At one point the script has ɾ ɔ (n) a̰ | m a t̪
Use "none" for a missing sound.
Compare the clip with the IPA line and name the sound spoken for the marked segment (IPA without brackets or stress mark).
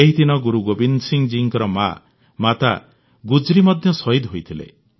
m